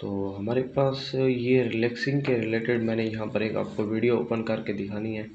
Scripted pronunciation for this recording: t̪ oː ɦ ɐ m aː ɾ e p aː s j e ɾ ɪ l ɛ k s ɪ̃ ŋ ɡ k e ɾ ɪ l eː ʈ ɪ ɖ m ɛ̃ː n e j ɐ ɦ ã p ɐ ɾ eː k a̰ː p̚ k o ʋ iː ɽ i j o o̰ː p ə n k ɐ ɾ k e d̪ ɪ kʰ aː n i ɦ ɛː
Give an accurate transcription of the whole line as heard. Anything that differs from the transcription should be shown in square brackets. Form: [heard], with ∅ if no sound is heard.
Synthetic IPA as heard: t̪ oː ɦ ɐ m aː ɾ e p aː s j e ɾ ɪ l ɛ k s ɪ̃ ŋ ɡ k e ɾ ɪ l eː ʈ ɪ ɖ m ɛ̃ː n e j ɐ ɦ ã p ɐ ɾ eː k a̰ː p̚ k o ʋ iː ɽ i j o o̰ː p ə n k ɐ ɾ k e d̪ ɪ kʰ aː n i ɦ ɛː